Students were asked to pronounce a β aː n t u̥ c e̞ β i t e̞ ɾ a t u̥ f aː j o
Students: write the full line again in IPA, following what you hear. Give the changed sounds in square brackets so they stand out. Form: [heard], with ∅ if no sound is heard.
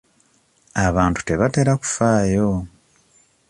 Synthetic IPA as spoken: a β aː n t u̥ [t] e̞ β [a] t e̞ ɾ a [k] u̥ f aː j o